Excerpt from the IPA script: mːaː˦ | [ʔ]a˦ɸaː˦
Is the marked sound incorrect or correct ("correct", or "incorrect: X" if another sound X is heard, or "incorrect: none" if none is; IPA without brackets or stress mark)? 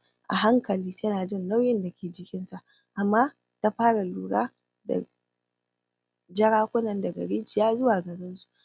incorrect: t